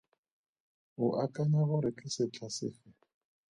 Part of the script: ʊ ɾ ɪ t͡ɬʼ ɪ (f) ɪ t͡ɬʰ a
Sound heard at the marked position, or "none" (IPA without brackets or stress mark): s